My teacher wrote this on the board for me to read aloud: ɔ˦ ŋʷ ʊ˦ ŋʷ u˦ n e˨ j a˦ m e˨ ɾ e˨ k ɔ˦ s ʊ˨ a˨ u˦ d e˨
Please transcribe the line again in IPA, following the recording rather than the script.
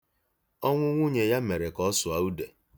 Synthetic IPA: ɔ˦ ŋʷ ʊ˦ ŋʷ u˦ ɲ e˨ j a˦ m e˨ ɾ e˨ k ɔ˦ s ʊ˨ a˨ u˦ d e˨